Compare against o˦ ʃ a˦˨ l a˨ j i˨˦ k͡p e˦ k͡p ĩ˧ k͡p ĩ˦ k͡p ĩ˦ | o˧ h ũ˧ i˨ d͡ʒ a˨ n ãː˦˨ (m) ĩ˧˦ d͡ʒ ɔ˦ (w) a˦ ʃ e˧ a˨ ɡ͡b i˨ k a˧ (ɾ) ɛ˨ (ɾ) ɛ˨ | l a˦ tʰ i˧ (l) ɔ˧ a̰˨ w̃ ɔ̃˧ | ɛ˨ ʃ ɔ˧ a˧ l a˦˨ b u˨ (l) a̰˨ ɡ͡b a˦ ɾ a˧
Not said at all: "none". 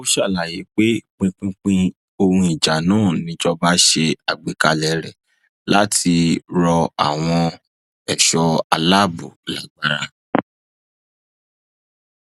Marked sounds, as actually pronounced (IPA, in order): n, b, l, ɾ, ɾ, l

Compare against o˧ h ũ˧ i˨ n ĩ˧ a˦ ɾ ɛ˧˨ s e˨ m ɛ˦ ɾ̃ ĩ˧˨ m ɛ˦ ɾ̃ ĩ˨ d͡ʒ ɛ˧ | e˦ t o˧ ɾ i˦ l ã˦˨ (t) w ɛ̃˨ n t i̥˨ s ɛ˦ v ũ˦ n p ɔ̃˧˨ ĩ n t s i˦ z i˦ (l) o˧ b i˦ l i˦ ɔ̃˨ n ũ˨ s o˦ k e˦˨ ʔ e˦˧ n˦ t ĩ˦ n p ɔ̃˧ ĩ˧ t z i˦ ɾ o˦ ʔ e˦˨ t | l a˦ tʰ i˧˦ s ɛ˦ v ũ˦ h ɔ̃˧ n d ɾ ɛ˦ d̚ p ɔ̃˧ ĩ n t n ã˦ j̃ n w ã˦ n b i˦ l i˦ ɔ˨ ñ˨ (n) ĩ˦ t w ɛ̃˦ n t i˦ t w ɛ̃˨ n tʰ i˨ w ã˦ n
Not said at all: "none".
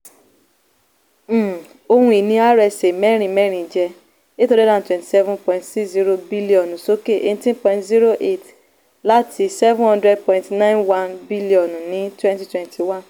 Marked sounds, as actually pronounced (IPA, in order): t, ɾ, n

